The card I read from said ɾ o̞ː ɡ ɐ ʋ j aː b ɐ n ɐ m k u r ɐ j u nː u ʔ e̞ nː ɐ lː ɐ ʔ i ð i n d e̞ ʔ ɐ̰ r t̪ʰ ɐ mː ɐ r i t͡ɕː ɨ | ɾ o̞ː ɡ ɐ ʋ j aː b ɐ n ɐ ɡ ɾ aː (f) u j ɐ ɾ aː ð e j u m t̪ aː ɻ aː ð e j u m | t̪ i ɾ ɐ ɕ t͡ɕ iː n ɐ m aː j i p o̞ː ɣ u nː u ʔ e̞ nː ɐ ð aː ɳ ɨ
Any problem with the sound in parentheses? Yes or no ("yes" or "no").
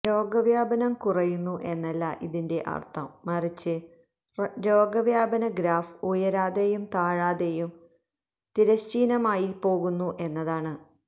no